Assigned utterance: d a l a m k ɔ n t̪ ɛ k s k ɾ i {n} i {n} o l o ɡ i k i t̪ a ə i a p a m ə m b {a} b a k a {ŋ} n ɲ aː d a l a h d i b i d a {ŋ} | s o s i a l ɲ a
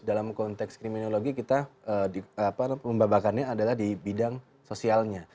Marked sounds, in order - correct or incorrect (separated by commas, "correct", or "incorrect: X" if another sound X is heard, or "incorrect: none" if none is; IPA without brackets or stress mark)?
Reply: incorrect: m, correct, correct, incorrect: none, correct